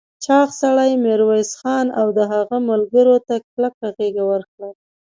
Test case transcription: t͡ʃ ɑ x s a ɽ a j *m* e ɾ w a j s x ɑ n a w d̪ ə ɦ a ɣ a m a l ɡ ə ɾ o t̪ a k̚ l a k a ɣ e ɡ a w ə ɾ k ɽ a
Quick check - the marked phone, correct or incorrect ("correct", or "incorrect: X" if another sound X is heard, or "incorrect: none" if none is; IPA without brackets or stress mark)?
correct